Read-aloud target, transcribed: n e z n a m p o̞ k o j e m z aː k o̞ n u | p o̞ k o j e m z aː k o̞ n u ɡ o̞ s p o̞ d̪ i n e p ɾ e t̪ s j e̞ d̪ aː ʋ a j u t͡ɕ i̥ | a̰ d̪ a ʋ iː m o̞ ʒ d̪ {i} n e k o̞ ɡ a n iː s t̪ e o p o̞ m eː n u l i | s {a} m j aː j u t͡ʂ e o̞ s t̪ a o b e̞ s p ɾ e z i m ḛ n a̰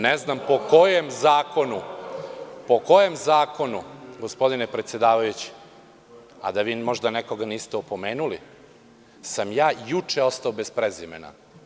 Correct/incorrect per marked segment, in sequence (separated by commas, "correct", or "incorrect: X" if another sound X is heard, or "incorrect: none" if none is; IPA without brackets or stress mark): incorrect: a, correct